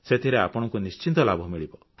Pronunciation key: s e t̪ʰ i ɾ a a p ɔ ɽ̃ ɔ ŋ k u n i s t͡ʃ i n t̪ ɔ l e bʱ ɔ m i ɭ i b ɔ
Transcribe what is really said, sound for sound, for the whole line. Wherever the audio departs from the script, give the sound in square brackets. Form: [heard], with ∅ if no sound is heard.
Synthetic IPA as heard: s e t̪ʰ i ɾ [e] a p ɔ ɽ̃ ɔ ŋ k u n i s t͡ʃ i n t̪ ɔ l [a] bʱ ɔ m i ɭ i b ɔ